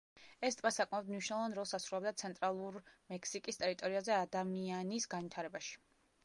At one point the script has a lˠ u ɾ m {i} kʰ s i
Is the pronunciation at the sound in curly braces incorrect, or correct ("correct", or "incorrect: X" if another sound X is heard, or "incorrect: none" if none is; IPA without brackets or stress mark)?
incorrect: ɛ